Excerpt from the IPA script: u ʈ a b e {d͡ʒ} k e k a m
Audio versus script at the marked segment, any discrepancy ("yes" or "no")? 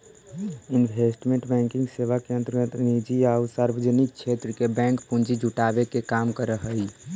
yes